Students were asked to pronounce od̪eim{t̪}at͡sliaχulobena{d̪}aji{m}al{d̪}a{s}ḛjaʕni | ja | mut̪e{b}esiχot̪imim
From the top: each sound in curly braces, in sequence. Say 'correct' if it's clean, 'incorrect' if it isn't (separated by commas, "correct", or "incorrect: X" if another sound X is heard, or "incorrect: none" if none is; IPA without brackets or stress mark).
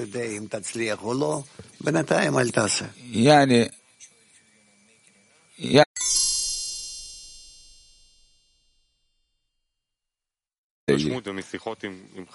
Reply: correct, incorrect: t̪, correct, incorrect: t̪, correct, incorrect: m